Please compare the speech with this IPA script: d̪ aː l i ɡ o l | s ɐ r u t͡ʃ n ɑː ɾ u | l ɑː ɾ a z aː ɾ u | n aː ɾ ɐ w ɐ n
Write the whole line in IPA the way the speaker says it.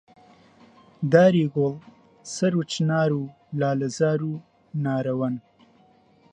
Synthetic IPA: d̪ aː ɾ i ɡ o l | s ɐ ɾ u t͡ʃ n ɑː ɾ u | l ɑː l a z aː ɾ u | n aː ɾ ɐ w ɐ n

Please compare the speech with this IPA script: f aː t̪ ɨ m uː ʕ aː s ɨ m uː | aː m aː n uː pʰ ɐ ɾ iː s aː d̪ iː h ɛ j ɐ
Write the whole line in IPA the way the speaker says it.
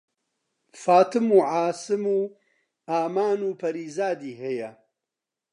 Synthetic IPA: f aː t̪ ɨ m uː ʕ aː s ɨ m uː | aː m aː n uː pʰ ɐ ɾ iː z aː d̪ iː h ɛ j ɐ

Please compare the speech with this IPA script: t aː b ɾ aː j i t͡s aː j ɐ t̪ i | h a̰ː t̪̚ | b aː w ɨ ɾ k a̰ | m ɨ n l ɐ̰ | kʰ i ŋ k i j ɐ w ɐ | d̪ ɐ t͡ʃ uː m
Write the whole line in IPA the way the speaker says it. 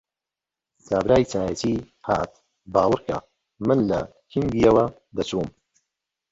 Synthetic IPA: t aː b ɾ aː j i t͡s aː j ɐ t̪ i | h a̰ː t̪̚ | b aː w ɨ ɾ k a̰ | m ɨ n l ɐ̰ | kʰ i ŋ ɡ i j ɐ w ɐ | d̪ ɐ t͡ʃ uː m

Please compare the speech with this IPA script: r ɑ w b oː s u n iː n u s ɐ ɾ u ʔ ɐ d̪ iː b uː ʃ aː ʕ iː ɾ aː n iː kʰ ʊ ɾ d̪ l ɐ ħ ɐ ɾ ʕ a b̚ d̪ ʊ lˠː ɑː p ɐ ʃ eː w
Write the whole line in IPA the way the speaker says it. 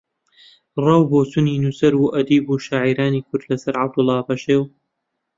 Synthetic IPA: r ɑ w b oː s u n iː n u s ɐ ɾ u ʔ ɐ d̪ iː b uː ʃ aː ʕ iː ɾ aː n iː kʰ ʊ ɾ d̪ l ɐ s ɐ ɾ ʕ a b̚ d̪ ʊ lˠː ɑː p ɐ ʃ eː w

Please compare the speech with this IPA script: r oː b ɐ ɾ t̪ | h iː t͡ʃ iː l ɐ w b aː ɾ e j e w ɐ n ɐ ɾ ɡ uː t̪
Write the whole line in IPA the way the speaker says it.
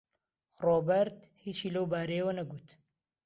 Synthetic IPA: r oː b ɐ ɾ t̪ | h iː t͡ʃ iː l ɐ w b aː ɾ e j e w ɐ n ɐ ɡ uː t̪

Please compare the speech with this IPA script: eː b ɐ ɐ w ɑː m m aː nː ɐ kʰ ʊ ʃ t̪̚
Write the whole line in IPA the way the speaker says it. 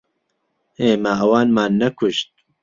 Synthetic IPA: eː m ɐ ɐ w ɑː n m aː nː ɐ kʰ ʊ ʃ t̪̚

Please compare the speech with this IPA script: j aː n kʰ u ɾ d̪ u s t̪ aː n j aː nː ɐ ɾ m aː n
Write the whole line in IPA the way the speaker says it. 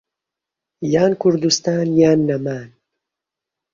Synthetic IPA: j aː n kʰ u ɾ d̪ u s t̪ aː n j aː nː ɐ m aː n

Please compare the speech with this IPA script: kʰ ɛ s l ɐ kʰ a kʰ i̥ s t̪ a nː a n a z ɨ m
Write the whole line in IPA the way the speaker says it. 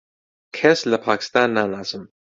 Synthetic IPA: kʰ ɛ s l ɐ pʰ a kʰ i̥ s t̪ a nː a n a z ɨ m

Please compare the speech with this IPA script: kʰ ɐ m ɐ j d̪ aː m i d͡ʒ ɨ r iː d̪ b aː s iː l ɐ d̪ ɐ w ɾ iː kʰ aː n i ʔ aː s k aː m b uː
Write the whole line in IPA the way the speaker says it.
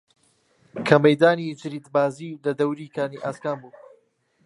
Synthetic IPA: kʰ ɐ m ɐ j d̪ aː n i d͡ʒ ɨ ɾ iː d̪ b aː z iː l ɐ d̪ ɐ w ɾ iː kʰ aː n i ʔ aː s k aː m b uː

